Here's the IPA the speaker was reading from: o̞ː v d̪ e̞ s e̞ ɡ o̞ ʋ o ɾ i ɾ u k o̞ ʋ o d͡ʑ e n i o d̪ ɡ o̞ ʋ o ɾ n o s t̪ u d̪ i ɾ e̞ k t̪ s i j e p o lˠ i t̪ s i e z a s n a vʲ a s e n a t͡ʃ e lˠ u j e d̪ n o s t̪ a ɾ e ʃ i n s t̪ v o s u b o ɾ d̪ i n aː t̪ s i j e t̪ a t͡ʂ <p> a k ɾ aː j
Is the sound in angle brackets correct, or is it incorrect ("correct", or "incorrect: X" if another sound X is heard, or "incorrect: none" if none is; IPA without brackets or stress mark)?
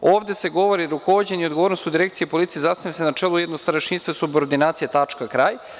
incorrect: k